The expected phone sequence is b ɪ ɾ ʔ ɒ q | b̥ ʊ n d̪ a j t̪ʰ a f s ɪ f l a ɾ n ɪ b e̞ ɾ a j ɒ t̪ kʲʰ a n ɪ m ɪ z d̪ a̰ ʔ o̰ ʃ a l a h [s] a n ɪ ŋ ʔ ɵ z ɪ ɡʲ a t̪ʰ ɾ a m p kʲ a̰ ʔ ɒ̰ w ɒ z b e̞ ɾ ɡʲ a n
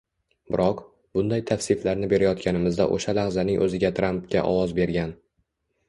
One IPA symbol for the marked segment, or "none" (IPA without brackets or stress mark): z